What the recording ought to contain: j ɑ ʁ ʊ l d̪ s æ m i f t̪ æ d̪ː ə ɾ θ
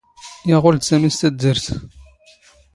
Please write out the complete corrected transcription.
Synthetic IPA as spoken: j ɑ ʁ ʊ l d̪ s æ m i s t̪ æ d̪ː ə ɾ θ

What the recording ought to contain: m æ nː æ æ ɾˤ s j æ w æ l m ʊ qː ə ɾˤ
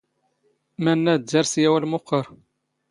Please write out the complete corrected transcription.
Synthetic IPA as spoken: m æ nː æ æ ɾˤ s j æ w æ l m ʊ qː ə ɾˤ

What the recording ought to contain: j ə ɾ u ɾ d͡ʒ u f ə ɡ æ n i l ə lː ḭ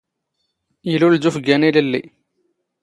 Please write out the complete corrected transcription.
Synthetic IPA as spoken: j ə l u l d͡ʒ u f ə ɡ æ n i l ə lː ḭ

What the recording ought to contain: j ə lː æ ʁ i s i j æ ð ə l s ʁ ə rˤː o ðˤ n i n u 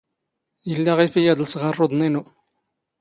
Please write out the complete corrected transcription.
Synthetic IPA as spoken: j ə lː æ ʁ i f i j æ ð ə l s ʁ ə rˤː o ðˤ n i n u

